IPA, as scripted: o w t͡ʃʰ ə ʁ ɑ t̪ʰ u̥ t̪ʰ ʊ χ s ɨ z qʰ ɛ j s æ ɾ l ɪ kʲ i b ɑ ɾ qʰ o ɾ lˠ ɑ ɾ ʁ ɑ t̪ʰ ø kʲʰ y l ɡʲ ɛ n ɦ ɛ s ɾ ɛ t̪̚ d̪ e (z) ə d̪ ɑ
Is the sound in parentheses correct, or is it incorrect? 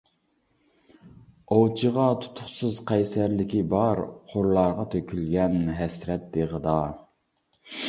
incorrect